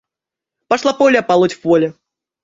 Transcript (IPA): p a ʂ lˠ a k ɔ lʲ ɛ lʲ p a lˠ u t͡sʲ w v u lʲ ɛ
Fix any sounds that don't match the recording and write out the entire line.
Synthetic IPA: p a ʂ lˠ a p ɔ lʲ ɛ p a lˠ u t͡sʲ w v ɔ lʲ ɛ